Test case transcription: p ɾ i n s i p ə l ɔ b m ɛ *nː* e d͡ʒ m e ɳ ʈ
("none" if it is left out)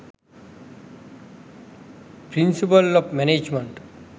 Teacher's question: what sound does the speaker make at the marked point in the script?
n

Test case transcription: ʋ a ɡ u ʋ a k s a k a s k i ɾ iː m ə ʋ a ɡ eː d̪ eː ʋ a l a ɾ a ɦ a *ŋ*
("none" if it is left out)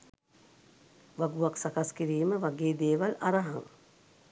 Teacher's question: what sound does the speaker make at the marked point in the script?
ŋ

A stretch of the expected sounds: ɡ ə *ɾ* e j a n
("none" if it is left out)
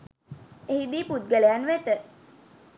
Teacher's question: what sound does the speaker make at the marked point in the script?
l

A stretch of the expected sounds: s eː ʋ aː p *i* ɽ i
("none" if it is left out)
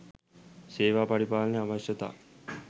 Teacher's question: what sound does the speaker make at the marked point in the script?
a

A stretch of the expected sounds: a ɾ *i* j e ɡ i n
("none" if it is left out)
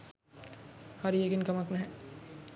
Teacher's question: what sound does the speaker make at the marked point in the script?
i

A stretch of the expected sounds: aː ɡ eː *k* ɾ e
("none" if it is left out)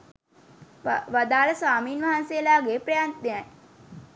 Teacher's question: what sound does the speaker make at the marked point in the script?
p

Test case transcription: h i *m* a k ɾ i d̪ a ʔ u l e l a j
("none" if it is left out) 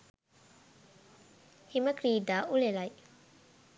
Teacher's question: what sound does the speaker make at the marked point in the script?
m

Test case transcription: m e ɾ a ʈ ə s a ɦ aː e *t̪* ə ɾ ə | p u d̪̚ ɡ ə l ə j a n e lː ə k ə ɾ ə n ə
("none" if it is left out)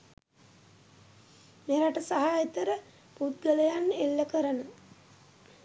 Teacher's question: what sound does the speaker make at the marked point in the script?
t̪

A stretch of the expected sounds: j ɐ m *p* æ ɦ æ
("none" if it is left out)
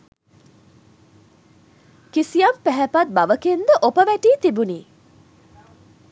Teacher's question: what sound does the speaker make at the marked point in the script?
p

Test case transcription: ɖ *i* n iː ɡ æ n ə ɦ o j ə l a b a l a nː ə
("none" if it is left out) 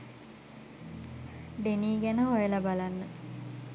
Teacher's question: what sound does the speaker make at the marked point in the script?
e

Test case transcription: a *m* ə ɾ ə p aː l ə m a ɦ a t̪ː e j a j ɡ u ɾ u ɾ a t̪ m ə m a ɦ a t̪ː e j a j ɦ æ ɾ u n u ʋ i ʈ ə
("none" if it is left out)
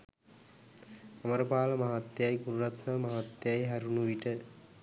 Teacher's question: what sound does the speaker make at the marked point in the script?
m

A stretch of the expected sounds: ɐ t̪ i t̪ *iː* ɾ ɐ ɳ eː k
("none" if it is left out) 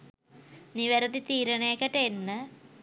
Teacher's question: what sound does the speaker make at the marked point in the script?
iː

